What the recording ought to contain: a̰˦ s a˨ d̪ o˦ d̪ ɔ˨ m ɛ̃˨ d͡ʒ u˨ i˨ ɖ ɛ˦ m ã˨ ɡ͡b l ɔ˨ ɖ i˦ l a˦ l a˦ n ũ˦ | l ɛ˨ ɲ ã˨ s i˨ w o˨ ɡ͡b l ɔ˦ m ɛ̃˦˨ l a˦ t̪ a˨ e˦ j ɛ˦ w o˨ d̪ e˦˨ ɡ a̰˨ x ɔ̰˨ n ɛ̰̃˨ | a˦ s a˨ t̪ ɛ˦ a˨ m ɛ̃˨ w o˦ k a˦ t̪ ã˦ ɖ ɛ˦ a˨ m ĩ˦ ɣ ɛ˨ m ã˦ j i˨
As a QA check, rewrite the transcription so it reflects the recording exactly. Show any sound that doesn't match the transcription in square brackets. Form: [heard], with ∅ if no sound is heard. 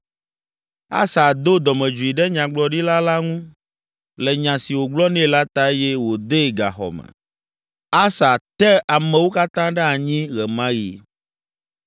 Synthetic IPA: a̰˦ s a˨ d̪ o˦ d̪ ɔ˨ m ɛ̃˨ d͡ʒ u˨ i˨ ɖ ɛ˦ [ɲ] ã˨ ɡ͡b l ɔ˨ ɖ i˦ l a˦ l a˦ [ŋ] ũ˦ | l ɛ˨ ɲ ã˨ s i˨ w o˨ ɡ͡b l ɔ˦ [n] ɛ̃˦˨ l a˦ t̪ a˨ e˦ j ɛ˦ w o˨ d̪ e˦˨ ɡ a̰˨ x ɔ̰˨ [m] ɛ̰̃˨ | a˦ s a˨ t̪ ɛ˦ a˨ m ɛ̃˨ w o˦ k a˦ t̪ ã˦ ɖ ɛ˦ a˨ [ɲ] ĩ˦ ɣ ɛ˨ m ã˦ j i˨